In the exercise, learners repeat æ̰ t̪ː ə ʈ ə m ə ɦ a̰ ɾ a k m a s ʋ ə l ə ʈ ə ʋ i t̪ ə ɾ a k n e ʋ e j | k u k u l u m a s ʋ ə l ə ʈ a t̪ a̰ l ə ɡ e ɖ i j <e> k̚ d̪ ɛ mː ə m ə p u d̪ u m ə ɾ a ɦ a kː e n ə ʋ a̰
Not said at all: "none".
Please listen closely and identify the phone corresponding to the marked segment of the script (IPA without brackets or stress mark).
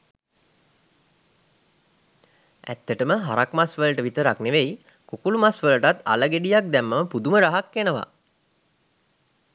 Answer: a